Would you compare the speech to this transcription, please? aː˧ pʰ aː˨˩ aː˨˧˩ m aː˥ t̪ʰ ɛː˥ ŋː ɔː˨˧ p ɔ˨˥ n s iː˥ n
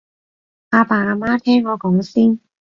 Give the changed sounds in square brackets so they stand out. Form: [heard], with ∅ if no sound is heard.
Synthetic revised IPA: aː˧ [p] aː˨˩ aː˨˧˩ m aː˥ t̪ʰ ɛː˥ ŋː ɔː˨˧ [k] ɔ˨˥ [ŋ] s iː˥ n